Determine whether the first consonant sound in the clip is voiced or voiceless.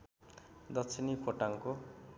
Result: voiced